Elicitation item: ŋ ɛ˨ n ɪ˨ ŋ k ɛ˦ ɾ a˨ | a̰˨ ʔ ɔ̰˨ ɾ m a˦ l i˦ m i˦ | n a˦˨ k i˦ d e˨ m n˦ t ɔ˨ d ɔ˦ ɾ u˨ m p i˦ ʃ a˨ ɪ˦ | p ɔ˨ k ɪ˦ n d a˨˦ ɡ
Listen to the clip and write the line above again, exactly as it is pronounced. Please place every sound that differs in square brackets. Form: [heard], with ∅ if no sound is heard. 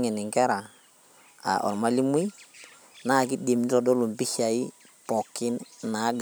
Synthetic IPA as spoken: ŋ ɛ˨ n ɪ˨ ŋ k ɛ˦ ɾ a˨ | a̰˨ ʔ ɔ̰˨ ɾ m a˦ l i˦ m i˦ | n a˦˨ k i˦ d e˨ m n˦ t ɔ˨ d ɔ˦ [l] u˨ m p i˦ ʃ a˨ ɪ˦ | p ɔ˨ k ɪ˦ n [n] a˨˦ ɡ

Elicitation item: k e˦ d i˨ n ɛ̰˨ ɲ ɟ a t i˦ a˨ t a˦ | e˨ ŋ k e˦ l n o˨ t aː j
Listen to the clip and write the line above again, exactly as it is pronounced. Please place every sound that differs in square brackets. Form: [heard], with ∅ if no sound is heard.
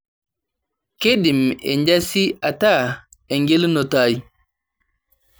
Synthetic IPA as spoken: k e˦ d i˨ [m] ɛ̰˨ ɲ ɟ a [s] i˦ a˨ t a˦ | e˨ ŋ [ɡ] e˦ l n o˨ t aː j

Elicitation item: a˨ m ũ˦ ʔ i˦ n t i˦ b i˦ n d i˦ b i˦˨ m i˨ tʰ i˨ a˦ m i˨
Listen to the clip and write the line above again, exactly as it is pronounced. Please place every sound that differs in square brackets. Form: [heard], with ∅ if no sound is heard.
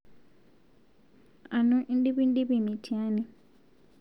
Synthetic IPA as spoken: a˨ [n] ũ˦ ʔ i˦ n [d] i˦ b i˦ n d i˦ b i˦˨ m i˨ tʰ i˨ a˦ [n] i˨

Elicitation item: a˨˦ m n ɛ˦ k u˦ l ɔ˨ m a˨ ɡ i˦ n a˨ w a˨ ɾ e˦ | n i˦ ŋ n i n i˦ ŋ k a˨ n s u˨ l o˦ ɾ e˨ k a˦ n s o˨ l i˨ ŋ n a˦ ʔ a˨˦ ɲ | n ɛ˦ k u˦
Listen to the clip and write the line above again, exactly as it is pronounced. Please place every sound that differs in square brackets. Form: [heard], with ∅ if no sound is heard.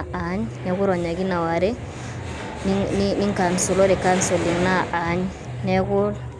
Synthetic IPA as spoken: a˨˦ [ɲ] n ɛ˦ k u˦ [ɾ] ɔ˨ [ɲ] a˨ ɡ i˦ n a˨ w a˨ ɾ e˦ | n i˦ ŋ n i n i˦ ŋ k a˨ n s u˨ l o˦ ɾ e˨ k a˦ n s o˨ l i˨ ŋ n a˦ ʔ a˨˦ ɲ | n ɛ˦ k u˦

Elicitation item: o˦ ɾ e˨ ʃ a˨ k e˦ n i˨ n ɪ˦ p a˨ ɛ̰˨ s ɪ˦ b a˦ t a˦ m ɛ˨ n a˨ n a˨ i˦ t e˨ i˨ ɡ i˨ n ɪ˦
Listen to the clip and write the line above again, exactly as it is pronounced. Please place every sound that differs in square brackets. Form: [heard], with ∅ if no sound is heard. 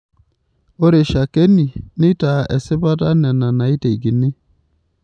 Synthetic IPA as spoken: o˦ ɾ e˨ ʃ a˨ k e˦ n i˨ n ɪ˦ [t] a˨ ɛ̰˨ s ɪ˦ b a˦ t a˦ [n] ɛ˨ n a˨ n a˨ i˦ t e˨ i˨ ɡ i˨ n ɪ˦

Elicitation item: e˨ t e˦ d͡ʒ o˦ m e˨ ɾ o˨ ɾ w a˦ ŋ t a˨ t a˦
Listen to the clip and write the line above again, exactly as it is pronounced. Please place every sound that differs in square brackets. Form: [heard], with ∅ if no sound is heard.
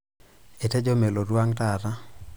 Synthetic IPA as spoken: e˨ t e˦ d͡ʒ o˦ m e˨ [l] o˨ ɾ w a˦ ŋ t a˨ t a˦

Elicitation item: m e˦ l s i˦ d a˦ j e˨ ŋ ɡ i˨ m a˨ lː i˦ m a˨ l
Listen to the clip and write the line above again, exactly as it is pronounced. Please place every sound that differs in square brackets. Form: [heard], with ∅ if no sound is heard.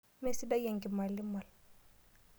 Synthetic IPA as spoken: m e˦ [∅] s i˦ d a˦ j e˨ ŋ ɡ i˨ m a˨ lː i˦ m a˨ l

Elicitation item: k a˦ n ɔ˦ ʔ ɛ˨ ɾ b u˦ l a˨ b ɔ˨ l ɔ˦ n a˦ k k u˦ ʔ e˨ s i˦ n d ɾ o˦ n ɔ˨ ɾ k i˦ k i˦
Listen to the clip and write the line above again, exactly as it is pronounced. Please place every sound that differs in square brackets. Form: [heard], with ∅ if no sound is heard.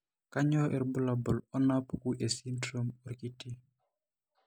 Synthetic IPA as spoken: k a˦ [ɲ] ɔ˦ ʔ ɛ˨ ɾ b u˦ l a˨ b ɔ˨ l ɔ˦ n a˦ [p] k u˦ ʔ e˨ s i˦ n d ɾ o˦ [m] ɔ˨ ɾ k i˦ [t] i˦

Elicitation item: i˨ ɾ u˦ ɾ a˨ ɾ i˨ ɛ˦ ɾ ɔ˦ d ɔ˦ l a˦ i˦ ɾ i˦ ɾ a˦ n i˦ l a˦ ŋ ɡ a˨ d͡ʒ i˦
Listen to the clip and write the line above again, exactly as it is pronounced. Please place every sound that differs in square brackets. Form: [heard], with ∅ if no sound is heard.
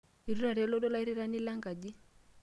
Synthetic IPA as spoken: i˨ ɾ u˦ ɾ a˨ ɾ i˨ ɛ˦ [l] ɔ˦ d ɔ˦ l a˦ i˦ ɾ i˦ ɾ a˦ n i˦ l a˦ ŋ ɡ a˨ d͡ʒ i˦

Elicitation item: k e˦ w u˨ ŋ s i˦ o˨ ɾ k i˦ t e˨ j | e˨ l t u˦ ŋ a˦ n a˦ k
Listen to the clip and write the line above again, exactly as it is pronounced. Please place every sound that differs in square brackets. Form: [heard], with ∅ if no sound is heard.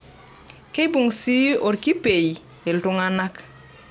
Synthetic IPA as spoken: k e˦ [b] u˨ ŋ s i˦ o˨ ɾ k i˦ [p] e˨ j | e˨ l t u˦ ŋ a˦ n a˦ k

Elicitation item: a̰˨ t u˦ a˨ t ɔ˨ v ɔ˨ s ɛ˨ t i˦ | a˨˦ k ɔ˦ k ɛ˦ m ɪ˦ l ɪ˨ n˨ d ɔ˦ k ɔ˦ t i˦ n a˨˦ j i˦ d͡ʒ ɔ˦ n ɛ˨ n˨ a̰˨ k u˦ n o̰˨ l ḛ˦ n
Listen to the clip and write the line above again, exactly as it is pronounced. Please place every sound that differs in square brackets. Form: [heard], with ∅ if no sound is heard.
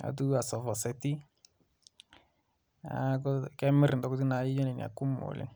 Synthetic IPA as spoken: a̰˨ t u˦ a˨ [s] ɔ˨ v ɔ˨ s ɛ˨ t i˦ | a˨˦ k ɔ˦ k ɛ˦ m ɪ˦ [ɾ] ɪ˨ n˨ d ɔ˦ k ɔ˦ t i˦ n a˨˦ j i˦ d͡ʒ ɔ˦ n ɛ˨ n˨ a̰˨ k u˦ [m] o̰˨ l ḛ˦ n

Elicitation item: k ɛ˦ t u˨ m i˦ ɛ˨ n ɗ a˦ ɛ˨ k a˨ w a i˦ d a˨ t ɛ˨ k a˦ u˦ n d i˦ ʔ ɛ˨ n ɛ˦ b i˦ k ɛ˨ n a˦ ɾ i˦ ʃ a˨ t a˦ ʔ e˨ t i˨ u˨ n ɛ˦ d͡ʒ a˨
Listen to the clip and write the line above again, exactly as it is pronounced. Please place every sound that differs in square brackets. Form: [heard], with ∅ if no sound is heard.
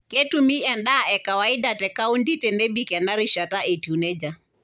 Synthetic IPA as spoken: k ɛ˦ t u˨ m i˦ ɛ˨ n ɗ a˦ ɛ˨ k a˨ w a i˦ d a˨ t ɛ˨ k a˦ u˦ n d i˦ [t] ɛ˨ n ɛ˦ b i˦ k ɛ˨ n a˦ ɾ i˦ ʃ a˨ t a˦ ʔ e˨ t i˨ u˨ n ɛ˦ d͡ʒ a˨

